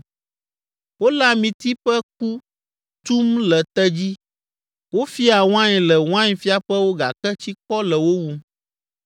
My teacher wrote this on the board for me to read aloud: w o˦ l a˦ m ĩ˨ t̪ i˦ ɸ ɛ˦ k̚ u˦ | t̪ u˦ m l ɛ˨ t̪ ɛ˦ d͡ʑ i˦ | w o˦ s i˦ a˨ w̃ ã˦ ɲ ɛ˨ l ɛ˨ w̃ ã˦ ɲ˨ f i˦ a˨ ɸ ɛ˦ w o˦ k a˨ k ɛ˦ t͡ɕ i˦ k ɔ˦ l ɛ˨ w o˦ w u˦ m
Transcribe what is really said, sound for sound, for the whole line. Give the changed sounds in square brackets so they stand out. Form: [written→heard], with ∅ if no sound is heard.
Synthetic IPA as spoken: w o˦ l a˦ m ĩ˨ t̪ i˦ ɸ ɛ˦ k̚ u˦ | t̪ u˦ m l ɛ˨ t̪ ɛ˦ d͡ʑ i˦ | w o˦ [s→f] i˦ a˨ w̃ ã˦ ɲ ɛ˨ l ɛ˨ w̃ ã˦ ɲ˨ f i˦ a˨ ɸ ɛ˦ w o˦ [k→ɡ] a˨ k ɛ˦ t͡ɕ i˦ k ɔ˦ l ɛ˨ w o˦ w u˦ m